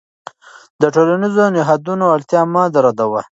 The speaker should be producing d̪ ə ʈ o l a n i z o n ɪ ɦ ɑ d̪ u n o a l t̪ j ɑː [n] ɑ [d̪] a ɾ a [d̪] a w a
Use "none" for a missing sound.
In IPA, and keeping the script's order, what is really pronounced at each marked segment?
m, d̪, d̪

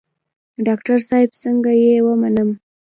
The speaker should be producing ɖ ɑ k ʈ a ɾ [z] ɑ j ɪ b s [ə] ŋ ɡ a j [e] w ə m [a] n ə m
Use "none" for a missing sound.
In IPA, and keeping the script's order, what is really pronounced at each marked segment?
s, ə, e, a

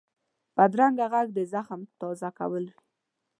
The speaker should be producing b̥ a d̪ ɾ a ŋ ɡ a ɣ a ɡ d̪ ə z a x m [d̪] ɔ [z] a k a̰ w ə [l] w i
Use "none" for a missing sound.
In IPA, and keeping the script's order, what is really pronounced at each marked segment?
t̪, z, l

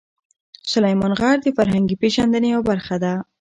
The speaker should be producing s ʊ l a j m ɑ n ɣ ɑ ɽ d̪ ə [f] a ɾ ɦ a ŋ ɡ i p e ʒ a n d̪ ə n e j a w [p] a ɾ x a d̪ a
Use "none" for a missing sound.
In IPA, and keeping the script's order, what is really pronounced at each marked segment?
f, b

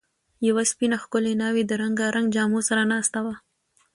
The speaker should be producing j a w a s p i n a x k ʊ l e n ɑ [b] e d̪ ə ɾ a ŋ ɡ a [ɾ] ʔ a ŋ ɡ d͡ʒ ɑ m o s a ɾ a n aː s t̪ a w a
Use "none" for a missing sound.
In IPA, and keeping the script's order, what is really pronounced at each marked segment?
w, ɾ

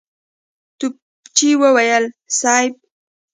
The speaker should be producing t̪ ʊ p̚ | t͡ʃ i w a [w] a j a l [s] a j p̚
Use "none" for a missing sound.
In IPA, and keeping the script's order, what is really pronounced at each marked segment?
w, s

